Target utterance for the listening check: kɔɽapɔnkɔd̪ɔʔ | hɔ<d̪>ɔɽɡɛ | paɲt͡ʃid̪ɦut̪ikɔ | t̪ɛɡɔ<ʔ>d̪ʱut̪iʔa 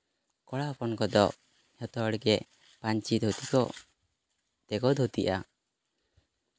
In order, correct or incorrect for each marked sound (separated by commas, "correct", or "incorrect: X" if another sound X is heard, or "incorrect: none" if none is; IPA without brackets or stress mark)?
incorrect: t̪, incorrect: none